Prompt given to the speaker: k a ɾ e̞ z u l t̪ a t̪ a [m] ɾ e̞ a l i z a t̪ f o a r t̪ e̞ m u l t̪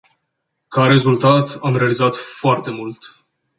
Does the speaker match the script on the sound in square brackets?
yes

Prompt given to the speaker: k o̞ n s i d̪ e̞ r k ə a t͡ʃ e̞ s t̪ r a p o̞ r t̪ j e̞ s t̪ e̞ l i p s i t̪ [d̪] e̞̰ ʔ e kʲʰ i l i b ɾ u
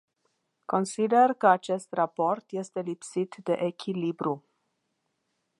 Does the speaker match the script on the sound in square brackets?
yes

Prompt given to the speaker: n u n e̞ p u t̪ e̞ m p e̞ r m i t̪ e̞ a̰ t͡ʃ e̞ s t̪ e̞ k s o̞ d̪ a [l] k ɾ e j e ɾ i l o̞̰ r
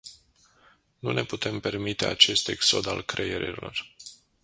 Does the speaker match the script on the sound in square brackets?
yes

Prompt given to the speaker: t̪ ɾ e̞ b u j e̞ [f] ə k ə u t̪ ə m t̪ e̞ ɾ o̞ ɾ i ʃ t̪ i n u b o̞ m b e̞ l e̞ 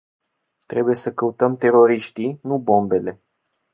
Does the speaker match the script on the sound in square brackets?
no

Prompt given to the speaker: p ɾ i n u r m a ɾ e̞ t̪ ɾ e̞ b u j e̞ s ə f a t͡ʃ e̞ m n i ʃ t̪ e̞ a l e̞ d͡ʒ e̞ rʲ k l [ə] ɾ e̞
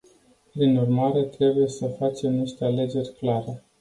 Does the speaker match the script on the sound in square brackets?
no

